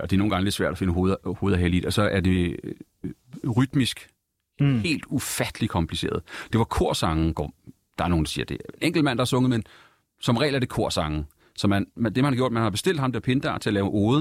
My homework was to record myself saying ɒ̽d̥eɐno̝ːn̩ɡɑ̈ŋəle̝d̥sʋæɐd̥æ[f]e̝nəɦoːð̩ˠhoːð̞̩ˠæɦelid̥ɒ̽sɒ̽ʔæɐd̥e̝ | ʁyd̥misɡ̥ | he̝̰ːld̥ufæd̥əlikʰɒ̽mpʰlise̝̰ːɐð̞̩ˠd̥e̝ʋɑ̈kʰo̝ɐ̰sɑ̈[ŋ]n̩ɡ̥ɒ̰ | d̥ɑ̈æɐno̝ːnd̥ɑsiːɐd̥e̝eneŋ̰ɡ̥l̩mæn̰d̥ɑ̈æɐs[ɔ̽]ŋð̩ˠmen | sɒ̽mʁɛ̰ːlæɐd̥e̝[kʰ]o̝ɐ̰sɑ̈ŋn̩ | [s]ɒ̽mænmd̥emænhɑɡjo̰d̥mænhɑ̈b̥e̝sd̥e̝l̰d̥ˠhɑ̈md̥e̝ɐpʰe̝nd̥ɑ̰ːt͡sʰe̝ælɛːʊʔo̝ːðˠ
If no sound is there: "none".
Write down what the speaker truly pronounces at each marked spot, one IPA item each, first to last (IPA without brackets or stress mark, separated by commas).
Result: f, ŋ, ɔ̽, kʰ, s